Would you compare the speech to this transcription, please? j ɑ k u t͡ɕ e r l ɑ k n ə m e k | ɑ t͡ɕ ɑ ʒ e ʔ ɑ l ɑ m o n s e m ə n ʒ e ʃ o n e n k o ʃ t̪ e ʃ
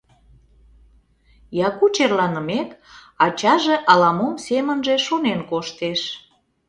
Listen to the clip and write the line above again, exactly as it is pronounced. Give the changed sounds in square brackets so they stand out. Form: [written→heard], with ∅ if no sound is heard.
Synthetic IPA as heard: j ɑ k u t͡ɕ e r l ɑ [k→∅] n ə m e k | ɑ t͡ɕ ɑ ʒ e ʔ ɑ l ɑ m o [n→m] s e m ə n ʒ e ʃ o n e n k o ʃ t̪ e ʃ